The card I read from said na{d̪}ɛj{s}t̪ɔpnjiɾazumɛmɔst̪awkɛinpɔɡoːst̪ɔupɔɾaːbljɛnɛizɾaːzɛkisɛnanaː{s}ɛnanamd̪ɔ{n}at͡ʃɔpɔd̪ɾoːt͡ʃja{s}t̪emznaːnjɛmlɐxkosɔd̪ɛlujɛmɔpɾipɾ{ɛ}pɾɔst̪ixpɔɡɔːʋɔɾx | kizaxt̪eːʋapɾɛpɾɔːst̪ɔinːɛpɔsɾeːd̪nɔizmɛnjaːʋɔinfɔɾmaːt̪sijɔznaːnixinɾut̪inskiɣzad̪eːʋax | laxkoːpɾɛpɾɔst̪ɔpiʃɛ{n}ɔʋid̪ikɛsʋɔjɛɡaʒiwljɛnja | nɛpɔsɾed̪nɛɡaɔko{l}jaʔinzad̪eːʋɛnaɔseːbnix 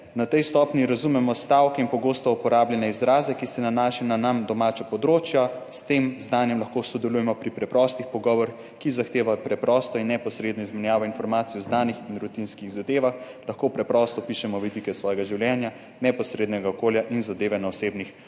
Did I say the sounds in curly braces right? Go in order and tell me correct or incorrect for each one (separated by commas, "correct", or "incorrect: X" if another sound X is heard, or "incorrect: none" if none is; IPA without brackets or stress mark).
incorrect: t̪, correct, incorrect: ʃ, incorrect: m, correct, correct, incorrect: m, correct